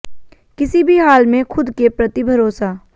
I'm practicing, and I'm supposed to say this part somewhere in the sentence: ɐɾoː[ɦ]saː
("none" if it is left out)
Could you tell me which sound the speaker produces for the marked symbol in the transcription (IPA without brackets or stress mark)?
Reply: none